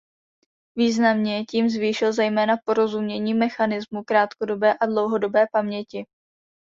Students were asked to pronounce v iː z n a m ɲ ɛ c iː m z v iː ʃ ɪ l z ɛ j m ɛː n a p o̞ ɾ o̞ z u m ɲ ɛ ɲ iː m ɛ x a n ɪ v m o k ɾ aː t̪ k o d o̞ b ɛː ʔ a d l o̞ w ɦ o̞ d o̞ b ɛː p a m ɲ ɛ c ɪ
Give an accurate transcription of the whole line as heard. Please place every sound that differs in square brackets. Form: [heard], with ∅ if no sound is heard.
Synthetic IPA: v iː z n a m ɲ ɛ c iː m z v iː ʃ ɪ l z ɛ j m ɛː n a p o̞ ɾ o̞ z u m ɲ ɛ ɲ iː m ɛ x a n ɪ [z] m [u] k ɾ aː t̪ k o d o̞ b ɛː ʔ a d l o̞ w ɦ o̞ d o̞ b ɛː p a m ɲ ɛ c ɪ